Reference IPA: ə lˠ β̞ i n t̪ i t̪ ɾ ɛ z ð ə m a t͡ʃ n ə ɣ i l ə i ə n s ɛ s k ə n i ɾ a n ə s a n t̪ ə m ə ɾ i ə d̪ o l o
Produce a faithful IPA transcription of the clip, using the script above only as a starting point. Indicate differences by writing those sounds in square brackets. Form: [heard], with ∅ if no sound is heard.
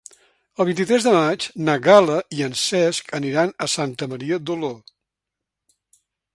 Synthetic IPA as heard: ə lˠ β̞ i n t̪ i t̪ ɾ ɛ z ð ə m a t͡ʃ n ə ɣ [a] l ə i ə n s ɛ s k ə n i ɾ a n ə s a n t̪ ə m ə ɾ i ə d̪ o l o